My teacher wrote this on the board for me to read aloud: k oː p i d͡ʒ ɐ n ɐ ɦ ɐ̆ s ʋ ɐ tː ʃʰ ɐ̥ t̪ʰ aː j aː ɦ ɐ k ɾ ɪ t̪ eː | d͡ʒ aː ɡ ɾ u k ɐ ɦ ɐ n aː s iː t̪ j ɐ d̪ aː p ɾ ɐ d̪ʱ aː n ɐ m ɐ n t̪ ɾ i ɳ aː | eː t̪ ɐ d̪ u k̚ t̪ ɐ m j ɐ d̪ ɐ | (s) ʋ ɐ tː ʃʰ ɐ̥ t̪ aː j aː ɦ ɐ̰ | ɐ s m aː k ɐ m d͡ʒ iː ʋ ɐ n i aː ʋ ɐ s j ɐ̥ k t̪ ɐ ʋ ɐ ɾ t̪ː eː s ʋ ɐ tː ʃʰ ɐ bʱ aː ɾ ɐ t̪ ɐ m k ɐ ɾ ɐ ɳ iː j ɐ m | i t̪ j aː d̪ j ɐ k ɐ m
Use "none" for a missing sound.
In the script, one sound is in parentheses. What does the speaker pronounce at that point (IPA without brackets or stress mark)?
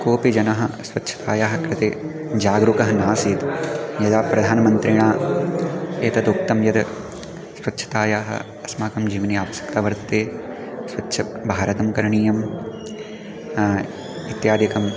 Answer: s